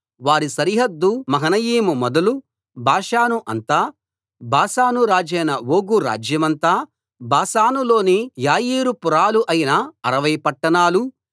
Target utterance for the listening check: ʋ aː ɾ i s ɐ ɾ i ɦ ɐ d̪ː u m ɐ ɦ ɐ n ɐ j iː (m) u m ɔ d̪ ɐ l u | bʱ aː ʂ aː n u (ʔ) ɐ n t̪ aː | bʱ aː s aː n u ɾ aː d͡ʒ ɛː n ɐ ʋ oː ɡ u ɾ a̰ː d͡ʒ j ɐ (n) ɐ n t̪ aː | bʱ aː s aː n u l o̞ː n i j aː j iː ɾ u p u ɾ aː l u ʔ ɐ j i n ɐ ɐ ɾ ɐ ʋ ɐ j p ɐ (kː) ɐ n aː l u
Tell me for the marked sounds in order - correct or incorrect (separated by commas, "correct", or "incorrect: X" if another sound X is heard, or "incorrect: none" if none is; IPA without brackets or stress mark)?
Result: correct, correct, incorrect: m, incorrect: ʈː